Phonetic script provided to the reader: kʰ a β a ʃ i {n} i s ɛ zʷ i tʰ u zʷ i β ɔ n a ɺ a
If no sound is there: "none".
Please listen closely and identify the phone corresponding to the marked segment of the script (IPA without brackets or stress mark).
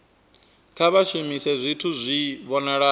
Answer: m